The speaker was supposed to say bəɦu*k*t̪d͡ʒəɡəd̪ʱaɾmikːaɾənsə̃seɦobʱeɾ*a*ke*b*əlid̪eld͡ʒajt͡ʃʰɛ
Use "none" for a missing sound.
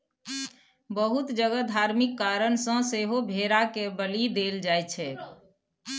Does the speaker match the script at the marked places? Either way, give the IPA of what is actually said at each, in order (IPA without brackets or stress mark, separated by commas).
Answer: none, a, b